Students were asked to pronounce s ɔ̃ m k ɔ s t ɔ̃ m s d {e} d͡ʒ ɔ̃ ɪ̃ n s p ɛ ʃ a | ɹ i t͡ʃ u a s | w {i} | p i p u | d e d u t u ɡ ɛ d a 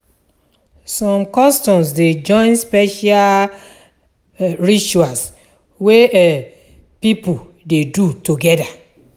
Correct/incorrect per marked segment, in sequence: correct, incorrect

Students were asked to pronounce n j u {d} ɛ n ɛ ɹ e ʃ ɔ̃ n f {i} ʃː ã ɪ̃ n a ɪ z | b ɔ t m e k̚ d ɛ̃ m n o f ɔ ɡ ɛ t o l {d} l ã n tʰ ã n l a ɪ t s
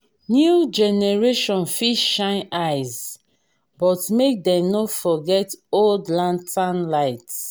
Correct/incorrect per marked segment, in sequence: incorrect, correct, correct

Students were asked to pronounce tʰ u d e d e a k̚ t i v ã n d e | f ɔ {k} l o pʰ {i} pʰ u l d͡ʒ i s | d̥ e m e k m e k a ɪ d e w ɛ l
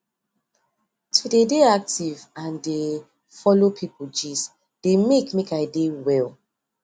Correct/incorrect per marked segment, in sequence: incorrect, correct

